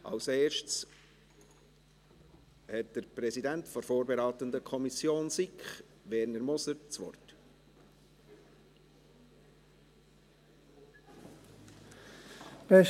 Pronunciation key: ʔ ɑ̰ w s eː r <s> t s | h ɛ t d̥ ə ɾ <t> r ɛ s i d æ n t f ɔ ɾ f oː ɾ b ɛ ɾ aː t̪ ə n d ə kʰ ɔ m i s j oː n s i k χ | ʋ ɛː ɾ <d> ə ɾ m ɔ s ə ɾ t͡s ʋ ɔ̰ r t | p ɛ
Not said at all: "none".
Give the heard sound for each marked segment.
ʃ, p, n

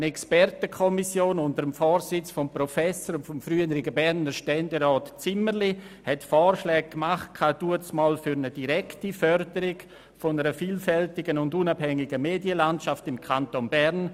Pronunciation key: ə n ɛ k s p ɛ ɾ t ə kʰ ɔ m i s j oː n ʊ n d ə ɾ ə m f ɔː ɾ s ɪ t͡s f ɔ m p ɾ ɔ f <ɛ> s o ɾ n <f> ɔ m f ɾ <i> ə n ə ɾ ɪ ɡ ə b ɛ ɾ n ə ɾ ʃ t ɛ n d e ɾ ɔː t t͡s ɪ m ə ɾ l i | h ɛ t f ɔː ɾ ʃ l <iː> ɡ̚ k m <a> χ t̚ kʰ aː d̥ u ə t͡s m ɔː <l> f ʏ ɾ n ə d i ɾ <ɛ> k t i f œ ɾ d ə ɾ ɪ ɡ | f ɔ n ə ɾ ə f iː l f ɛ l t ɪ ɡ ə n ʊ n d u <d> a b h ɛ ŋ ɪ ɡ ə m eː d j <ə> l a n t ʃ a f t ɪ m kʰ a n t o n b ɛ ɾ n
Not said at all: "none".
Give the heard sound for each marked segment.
ɛ, f, y, ɛː, a, l, ɛ, n, ə

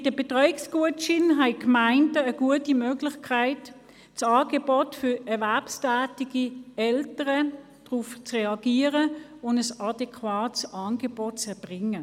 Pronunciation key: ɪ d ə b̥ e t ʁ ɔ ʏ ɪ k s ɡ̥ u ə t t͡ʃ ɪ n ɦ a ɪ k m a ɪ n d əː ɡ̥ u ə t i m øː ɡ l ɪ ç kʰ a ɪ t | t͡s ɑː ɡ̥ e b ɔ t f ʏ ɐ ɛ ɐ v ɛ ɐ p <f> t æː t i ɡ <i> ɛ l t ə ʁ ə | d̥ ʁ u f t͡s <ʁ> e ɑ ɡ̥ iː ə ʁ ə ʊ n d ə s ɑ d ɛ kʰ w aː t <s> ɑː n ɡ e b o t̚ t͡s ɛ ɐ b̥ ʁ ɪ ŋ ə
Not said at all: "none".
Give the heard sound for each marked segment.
s, i, ʁ, s

